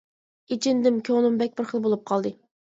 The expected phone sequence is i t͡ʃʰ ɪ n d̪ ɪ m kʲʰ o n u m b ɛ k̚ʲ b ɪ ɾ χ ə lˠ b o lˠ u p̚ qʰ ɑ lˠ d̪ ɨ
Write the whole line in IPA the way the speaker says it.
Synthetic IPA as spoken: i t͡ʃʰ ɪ n d̪ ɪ m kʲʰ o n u m b ɛ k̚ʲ b ɪ ɾ χ ə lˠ b o lˠ u p̚ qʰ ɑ lˠ d̪ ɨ